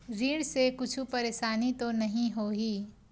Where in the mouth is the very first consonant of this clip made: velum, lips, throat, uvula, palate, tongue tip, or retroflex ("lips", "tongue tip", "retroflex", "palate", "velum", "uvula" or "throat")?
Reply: tongue tip